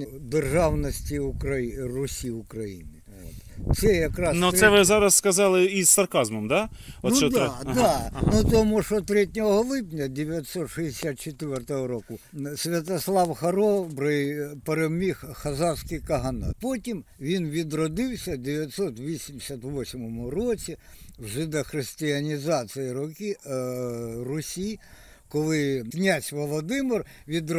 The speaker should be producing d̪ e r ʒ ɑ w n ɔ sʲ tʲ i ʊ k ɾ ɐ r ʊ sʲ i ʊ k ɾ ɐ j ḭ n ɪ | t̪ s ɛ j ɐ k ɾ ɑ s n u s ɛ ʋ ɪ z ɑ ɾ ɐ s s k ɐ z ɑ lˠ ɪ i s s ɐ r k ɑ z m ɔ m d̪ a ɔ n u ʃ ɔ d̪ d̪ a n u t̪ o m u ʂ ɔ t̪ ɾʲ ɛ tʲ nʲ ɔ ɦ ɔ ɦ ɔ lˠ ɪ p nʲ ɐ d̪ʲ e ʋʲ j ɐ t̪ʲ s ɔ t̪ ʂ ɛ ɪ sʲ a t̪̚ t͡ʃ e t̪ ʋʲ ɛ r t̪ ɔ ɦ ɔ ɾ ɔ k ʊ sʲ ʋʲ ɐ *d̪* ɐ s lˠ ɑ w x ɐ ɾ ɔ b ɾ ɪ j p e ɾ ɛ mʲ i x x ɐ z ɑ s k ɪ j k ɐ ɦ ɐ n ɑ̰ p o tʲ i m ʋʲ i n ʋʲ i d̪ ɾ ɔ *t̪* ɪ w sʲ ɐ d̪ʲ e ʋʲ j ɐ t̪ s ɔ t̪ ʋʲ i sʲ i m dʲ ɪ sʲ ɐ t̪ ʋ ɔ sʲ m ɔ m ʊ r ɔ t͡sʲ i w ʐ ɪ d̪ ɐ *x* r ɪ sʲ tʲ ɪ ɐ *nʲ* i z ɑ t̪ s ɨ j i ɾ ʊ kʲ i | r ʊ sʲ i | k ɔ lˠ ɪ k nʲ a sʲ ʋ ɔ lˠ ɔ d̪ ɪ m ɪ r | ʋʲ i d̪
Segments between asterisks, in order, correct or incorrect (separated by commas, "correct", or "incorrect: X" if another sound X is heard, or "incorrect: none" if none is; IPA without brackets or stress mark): incorrect: t̪, incorrect: d̪, correct, correct